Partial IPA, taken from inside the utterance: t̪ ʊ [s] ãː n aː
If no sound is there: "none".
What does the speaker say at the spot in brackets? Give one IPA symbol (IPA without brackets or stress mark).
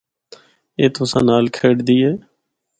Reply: s